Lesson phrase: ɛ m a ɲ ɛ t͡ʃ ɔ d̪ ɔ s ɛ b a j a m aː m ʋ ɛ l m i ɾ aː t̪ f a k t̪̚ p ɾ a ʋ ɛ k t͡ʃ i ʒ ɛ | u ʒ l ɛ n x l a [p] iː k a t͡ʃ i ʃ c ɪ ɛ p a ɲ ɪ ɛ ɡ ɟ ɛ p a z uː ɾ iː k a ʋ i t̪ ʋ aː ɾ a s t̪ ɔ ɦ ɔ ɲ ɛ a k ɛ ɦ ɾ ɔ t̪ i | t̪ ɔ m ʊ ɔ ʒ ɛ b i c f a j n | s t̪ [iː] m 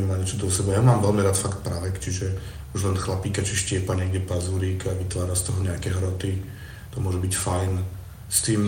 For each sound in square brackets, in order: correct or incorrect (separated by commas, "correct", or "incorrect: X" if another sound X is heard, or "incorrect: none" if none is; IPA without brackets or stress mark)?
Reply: correct, correct